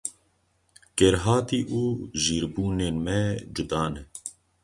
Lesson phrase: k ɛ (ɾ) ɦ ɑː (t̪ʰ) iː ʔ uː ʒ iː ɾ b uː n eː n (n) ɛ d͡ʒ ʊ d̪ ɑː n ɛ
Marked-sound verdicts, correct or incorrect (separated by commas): correct, incorrect, incorrect